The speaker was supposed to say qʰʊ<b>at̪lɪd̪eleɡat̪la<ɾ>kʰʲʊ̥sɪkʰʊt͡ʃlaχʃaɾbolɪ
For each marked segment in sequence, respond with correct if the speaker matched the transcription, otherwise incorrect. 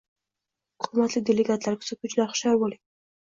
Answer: incorrect, correct

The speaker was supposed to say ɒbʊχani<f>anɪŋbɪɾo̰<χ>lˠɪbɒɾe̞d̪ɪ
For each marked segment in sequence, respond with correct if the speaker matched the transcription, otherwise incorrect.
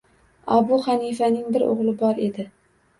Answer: correct, incorrect

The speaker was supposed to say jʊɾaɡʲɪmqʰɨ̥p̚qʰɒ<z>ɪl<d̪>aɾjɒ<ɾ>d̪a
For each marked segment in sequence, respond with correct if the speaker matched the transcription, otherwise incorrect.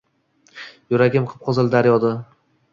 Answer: correct, correct, incorrect

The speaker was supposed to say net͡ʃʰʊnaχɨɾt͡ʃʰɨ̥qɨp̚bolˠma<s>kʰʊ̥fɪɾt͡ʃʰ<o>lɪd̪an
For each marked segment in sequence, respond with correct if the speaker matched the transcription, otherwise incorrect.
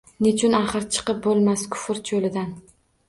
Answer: correct, correct

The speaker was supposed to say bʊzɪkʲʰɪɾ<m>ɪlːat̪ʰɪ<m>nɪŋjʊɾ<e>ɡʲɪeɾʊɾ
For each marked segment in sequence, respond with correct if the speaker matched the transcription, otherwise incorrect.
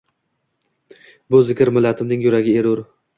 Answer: correct, correct, incorrect

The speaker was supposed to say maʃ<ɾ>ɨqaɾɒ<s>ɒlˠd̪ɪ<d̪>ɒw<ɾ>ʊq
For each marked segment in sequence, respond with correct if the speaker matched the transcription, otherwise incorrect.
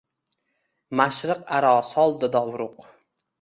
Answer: correct, correct, correct, correct

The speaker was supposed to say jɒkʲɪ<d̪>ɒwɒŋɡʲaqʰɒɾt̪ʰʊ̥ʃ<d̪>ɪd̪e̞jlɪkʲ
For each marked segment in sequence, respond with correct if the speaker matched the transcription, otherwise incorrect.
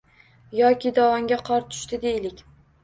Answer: correct, incorrect

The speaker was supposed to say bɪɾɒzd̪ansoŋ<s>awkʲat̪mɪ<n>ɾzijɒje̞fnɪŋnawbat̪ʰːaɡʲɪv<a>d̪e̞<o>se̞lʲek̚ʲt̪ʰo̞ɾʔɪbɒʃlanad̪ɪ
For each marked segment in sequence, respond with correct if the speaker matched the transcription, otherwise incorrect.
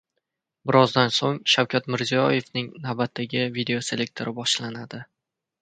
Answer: incorrect, incorrect, incorrect, correct

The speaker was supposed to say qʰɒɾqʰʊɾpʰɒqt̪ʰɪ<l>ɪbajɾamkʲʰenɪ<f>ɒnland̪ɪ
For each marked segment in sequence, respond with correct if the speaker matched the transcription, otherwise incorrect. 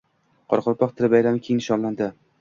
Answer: incorrect, incorrect

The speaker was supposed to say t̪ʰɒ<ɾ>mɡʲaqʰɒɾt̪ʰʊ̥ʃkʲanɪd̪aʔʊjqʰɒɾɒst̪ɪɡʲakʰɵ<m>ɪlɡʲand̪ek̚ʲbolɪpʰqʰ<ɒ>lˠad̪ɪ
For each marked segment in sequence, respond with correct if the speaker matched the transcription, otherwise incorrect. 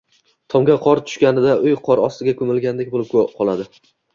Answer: incorrect, correct, correct

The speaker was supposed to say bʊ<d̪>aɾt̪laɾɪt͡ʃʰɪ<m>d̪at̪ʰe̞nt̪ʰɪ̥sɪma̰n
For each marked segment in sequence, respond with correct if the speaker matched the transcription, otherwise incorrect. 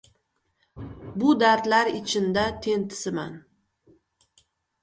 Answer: correct, incorrect

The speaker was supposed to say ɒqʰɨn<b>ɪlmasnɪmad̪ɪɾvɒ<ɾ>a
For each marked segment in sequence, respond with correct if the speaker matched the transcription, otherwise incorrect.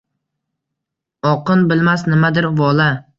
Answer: correct, incorrect

